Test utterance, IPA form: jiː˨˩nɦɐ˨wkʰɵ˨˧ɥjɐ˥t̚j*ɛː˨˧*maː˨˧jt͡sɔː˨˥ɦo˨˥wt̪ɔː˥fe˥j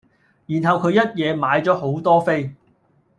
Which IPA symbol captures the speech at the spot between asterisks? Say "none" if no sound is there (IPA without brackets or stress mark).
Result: ɛː˨˧